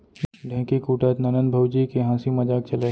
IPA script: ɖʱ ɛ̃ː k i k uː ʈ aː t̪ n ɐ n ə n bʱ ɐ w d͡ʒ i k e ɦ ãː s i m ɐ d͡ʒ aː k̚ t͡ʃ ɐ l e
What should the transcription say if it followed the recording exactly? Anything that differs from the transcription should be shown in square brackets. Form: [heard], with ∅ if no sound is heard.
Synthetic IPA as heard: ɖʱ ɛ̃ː k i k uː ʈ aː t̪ n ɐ n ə n bʱ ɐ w d͡ʒ i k e ɦ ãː s i m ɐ d͡ʒ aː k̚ t͡ʃ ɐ l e